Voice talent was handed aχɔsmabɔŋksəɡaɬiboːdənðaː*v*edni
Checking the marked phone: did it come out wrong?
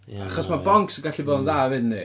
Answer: no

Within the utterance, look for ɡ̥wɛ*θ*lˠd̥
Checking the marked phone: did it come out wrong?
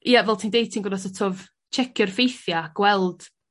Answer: yes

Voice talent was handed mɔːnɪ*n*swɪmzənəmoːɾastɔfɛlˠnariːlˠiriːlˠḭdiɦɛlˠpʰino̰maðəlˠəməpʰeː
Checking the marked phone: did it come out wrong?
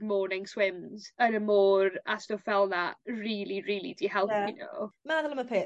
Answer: yes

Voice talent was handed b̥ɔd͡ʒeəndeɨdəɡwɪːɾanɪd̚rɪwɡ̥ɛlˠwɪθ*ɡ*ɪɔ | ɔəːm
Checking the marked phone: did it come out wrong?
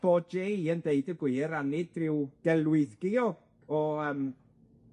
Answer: no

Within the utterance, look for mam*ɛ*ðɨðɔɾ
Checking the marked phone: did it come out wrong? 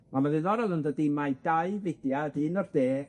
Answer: yes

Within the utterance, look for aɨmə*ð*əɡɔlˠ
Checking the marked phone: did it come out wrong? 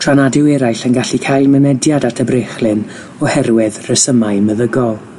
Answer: no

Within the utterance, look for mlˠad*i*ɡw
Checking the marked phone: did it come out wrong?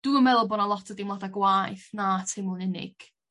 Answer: yes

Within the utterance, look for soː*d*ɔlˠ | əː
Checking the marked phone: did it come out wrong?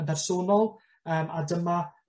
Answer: yes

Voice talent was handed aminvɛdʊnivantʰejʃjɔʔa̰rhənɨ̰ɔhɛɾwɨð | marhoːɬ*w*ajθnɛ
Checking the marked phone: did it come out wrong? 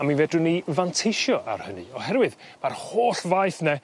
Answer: yes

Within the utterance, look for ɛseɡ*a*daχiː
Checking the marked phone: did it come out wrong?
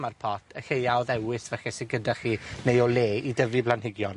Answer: yes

